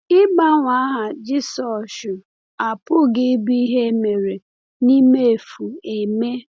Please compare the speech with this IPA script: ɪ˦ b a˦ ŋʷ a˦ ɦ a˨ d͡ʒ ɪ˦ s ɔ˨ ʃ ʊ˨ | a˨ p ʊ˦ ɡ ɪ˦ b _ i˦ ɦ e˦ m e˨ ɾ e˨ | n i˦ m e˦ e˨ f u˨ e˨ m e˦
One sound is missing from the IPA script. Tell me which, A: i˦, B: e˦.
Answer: A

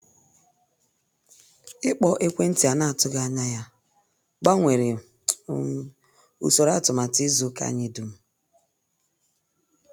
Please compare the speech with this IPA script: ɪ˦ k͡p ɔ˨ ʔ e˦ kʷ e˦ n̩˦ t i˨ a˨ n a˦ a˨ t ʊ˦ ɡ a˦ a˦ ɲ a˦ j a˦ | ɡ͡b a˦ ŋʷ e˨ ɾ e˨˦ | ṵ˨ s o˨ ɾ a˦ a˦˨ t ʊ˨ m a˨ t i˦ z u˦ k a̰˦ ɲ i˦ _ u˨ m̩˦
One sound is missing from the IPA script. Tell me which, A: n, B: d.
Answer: B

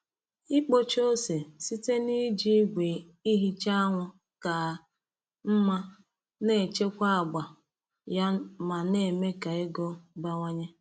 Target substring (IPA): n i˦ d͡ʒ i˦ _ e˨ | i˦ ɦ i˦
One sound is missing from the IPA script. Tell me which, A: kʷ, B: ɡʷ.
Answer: B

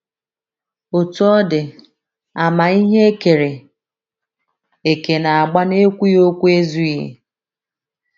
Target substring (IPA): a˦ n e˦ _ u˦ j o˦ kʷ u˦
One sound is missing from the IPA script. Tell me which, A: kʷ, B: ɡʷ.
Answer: A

